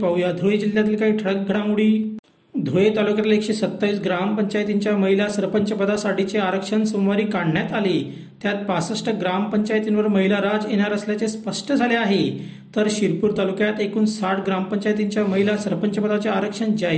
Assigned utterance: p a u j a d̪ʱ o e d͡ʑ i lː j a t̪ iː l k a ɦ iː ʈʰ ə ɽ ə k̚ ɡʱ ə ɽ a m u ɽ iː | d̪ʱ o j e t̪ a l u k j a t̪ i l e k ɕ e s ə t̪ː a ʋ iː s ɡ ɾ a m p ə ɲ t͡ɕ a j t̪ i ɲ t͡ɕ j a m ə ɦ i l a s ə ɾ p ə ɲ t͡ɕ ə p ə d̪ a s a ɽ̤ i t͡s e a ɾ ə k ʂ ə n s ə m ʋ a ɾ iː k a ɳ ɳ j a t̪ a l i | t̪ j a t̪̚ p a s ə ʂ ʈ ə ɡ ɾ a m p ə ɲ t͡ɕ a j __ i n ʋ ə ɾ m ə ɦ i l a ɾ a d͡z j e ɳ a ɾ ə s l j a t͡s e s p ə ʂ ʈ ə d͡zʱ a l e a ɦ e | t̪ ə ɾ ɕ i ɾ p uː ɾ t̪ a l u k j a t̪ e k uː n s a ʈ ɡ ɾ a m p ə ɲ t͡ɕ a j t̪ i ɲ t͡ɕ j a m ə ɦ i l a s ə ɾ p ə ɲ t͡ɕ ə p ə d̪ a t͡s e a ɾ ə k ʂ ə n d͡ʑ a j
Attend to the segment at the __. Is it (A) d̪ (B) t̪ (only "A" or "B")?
B